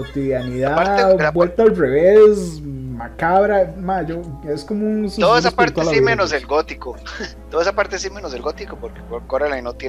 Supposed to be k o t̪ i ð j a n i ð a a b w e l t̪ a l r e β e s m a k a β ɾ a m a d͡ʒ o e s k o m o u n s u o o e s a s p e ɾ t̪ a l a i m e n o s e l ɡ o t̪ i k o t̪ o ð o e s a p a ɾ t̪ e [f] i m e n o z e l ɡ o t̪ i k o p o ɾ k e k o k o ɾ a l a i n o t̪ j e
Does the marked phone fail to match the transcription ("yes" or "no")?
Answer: yes